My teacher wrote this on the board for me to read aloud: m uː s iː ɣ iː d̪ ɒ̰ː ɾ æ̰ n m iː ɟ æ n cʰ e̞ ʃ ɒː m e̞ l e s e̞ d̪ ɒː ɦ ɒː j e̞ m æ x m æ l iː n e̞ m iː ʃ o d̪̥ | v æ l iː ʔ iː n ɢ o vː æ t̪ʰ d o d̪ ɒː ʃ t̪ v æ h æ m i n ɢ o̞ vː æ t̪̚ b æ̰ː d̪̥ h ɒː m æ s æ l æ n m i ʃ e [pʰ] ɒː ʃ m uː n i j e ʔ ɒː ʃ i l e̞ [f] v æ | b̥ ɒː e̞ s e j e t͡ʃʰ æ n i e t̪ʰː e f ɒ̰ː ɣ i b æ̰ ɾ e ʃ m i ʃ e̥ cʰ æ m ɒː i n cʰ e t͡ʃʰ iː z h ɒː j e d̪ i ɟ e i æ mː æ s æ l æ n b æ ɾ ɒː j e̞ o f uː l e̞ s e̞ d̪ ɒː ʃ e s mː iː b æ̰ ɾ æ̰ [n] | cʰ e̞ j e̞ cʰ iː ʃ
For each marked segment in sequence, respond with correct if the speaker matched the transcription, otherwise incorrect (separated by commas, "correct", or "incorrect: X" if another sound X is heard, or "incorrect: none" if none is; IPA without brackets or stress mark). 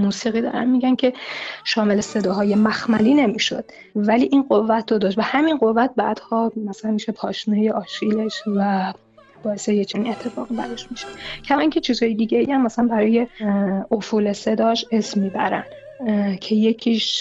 correct, incorrect: ʃ, correct